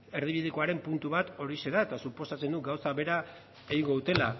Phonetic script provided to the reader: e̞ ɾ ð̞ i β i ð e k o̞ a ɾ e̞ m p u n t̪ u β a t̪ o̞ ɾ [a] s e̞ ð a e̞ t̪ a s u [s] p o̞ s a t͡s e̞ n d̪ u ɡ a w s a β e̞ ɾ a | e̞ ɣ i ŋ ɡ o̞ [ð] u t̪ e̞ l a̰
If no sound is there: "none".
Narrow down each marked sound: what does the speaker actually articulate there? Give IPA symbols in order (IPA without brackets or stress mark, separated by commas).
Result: i, none, ð